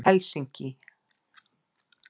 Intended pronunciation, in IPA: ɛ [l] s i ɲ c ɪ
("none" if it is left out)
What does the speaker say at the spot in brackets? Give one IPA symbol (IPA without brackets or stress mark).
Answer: l